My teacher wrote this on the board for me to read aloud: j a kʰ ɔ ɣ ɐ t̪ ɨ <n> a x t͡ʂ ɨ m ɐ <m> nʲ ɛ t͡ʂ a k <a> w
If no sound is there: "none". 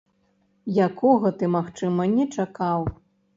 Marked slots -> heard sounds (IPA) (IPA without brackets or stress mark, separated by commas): m, none, a